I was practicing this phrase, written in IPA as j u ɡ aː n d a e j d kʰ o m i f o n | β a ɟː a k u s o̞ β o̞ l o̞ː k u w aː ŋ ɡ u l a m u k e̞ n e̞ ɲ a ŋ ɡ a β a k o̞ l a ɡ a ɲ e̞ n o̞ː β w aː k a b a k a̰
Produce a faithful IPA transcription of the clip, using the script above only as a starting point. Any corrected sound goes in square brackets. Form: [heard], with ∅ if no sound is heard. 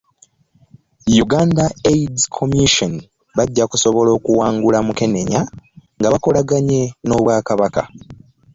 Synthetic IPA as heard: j u ɡ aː n d a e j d kʰ o m i [ʃ] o n | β a ɟː a k u s o̞ β o̞ l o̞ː k u w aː ŋ ɡ u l a m u k e̞ n e̞ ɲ a ŋ ɡ a β a k o̞ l a ɡ a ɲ e̞ n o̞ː β w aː k a [β] a k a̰